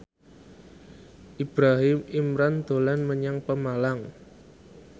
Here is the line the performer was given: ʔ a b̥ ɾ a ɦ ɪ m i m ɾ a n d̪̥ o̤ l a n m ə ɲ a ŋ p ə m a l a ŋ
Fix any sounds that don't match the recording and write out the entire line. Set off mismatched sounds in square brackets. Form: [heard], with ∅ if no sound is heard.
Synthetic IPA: ʔ [i] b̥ ɾ a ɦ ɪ m i m ɾ a n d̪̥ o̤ l a n m ə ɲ a ŋ p ə m a l a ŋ